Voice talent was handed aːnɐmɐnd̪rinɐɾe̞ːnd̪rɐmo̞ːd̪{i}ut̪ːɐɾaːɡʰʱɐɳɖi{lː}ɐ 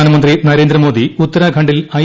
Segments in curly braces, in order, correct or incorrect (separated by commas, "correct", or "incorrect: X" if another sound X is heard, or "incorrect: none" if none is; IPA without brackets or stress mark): correct, incorrect: l